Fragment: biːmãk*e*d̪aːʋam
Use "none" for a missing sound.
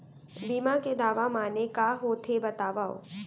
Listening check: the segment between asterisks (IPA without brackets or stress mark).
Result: e